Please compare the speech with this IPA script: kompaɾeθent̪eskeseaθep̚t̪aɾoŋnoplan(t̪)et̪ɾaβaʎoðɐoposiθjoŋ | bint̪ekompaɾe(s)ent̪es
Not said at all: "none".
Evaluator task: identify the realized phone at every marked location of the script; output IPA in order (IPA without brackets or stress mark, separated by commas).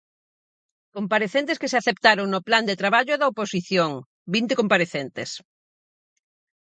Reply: d̪, θ